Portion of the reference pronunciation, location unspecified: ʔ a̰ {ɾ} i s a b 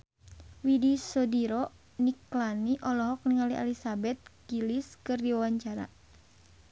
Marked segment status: incorrect: l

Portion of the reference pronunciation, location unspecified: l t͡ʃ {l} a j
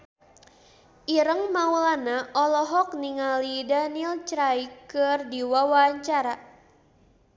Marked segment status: incorrect: ɾ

